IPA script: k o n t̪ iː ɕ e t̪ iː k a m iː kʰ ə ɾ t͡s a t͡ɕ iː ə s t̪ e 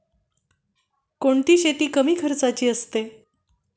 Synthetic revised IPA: k o ɳ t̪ iː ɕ e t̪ iː k ə m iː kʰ ə ɾ t͡s a t͡ɕ iː ə s t̪ e